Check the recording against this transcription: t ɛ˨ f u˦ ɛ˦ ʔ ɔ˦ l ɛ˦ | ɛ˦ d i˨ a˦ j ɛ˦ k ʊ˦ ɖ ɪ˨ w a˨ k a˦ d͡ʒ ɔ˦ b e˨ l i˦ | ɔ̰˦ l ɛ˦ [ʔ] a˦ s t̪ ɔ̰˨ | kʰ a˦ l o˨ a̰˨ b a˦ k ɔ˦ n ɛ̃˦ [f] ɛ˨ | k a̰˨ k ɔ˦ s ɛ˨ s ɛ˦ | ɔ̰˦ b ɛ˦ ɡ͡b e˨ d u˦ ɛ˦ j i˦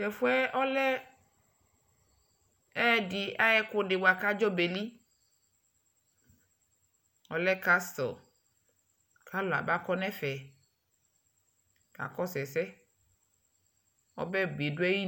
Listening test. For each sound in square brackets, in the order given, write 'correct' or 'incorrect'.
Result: incorrect: k, correct

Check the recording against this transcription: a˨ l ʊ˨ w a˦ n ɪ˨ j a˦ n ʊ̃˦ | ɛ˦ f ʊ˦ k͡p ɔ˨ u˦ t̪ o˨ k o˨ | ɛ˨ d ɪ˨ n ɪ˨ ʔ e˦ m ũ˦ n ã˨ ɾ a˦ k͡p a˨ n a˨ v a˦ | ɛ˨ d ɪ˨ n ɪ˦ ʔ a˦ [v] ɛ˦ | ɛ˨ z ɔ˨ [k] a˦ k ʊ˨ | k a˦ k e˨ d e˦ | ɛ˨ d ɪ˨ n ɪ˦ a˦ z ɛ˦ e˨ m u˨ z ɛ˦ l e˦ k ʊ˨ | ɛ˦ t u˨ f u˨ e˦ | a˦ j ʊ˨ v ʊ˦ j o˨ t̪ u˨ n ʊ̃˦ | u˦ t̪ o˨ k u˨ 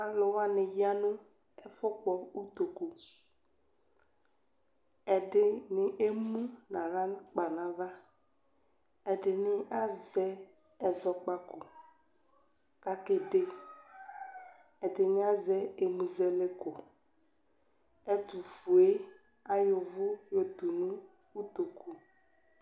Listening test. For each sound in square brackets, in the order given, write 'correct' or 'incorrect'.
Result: incorrect: z, incorrect: k͡p

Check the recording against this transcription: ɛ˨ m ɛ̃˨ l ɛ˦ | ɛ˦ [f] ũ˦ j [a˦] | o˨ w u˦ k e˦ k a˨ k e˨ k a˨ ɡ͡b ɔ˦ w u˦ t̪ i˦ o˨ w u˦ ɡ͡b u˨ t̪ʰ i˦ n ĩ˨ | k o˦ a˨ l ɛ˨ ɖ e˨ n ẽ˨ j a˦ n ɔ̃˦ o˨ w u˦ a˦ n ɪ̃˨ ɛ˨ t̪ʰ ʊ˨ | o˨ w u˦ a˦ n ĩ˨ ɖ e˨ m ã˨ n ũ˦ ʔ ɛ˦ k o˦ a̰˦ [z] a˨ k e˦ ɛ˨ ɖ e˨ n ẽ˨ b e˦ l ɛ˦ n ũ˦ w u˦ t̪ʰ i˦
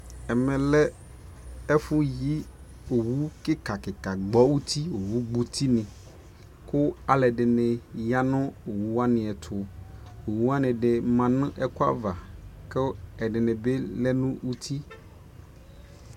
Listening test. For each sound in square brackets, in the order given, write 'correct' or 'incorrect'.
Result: correct, incorrect: i˦, incorrect: v

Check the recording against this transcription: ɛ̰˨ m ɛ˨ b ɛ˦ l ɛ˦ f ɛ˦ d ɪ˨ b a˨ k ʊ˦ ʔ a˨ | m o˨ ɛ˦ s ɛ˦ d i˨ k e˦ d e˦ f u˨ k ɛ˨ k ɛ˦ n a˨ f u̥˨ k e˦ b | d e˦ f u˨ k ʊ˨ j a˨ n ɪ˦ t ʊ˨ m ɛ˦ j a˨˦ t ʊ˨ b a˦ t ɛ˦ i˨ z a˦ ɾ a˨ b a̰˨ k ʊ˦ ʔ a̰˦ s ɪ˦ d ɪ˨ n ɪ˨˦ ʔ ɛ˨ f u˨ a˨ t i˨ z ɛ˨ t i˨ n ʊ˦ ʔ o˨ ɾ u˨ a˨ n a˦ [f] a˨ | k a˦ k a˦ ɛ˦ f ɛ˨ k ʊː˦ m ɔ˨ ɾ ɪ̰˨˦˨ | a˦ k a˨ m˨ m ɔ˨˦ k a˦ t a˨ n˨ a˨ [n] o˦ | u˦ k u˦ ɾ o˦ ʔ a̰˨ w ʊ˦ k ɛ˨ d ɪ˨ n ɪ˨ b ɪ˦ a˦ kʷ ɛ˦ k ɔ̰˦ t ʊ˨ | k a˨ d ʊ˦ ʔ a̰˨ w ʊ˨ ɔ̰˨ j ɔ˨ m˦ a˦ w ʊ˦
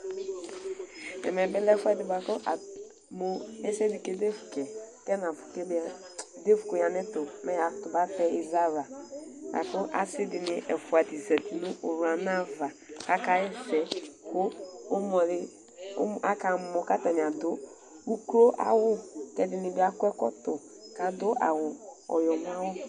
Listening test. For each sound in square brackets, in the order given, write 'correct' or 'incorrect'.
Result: incorrect: v, incorrect: d

